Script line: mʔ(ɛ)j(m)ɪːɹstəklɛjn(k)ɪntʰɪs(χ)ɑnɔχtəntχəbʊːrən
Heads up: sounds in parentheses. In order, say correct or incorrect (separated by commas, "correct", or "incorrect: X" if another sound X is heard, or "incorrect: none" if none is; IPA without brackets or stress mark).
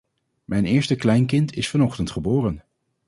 correct, incorrect: n, correct, incorrect: f